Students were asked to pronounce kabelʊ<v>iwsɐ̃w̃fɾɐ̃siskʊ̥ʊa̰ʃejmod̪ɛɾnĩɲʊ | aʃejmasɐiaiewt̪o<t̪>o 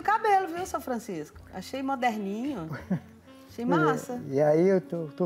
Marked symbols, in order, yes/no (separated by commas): yes, yes